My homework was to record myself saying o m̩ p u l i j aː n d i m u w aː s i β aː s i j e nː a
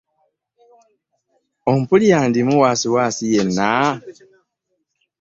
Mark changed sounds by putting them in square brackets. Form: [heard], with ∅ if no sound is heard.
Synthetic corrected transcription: o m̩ p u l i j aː n d i m u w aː s i [w] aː s i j e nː a